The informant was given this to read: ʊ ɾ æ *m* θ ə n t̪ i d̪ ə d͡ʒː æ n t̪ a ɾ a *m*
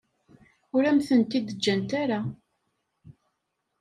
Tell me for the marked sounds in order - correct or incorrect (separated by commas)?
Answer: correct, incorrect